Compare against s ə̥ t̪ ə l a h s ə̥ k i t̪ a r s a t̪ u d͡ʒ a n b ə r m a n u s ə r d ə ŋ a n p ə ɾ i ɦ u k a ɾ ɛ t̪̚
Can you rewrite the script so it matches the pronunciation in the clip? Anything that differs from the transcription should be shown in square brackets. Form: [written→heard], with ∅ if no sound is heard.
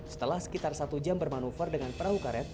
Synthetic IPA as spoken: s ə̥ t̪ ə l a h s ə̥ k i t̪ a r s a t̪ u d͡ʒ a [n→m] b ə r m a n u [s→f] ə r d ə ŋ a n p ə ɾ [i→a] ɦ u k a ɾ ɛ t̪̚